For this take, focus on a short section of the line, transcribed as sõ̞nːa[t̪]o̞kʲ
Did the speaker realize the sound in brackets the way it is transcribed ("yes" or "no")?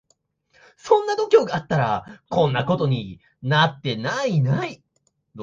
no